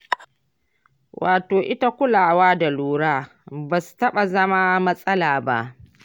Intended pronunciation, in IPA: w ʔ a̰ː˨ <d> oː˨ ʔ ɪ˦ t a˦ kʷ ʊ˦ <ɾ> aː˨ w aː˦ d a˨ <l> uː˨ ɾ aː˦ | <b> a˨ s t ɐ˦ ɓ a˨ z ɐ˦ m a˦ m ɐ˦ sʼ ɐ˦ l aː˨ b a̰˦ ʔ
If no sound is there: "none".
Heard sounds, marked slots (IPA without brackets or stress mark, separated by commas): t, l, l, b